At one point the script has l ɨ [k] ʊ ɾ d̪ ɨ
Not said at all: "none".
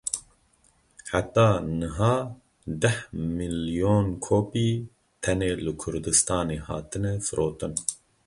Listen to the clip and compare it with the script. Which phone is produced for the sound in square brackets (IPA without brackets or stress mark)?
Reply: kʰ